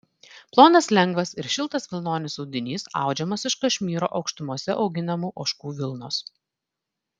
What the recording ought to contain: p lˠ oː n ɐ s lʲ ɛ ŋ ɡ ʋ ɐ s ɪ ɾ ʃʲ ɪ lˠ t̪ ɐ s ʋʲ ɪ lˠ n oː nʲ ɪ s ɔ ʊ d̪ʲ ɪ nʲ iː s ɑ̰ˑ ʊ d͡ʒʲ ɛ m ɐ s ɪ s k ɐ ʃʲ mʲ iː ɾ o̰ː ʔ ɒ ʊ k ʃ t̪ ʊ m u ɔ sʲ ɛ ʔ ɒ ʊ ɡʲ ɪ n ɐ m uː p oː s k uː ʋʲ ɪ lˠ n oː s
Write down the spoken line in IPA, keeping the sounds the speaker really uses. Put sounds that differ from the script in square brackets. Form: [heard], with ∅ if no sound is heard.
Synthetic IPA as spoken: p lˠ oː n ɐ s lʲ ɛ ŋ ɡ ʋ ɐ s ɪ ɾ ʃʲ ɪ lˠ t̪ ɐ s ʋʲ ɪ lˠ n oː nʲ ɪ s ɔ ʊ d̪ʲ ɪ nʲ iː s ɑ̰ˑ ʊ d͡ʒʲ ɛ m ɐ s ɪ [ʃ] k ɐ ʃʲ mʲ iː ɾ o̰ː ʔ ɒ ʊ k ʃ t̪ ʊ m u ɔ sʲ ɛ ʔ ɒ ʊ ɡʲ ɪ n ɐ m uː [ʔ] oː [ʃ] k uː ʋʲ ɪ lˠ n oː s